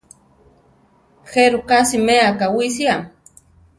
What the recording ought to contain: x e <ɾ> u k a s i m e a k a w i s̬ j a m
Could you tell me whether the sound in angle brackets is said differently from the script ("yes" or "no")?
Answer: no